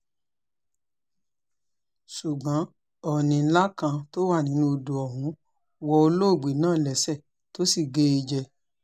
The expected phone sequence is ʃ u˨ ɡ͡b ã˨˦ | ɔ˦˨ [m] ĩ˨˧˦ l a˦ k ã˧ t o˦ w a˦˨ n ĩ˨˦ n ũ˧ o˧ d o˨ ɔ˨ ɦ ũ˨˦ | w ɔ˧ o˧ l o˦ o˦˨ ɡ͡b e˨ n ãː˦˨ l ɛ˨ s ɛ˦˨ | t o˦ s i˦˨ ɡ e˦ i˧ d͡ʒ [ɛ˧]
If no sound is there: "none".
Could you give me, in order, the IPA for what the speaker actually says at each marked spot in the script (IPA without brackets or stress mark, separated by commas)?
n, ɛ˧